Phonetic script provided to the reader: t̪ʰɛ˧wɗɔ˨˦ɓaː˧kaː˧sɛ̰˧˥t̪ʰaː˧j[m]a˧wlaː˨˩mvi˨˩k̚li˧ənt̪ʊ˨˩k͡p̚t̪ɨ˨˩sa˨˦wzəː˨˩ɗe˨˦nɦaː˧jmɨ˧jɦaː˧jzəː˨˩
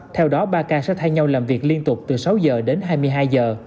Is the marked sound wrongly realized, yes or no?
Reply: yes